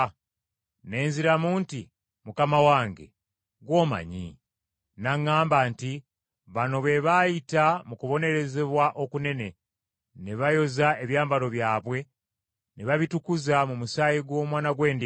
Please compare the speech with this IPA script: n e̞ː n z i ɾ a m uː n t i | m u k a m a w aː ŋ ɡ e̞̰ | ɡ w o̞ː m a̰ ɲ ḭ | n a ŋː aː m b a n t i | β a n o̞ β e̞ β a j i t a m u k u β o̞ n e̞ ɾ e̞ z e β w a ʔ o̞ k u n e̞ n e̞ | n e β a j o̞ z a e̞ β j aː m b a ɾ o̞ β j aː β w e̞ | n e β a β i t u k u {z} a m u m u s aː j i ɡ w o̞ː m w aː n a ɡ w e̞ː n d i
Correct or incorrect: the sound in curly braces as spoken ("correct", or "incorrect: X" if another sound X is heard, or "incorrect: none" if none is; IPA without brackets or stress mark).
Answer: correct